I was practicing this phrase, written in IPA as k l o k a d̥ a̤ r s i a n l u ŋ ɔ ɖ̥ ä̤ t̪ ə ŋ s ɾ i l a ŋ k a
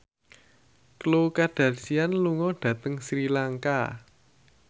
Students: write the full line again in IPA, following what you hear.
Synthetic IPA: k l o k a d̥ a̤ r s i a n l u ŋ ɔ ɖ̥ ä̤ t̪ ə ŋ s ɾ i l a ŋ k a